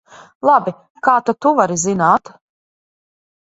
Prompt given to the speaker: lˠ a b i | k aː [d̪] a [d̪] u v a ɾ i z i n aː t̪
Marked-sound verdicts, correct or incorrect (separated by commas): incorrect, incorrect